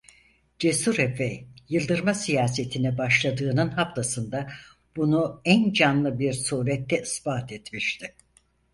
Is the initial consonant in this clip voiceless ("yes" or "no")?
no